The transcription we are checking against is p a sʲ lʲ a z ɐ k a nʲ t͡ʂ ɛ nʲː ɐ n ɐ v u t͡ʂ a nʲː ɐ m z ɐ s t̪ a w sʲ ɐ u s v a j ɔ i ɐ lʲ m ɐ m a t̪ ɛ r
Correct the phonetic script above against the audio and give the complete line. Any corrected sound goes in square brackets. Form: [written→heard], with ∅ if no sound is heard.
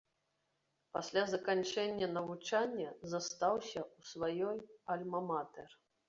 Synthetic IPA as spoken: p a sʲ lʲ a z ɐ k a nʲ t͡ʂ ɛ nʲː ɐ n ɐ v u t͡ʂ a nʲː ɐ [m→∅] z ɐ s t̪ a w sʲ ɐ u s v a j ɔ [i→j] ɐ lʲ m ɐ m a t̪ ɛ r